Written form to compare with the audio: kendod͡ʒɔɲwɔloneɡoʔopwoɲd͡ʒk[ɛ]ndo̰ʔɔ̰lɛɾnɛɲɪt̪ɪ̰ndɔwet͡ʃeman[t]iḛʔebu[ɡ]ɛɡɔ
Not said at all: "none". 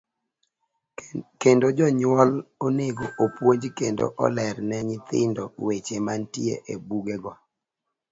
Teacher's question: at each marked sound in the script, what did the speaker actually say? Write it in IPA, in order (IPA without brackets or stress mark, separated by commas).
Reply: e, t, ɡ